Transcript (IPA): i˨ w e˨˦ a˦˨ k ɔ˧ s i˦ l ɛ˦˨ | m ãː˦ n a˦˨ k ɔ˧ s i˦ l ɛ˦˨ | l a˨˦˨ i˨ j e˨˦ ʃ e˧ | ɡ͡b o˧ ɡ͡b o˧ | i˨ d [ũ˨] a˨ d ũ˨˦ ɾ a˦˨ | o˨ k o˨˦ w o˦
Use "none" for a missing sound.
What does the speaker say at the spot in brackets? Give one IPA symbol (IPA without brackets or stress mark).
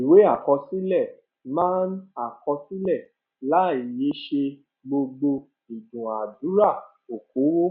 ũ˨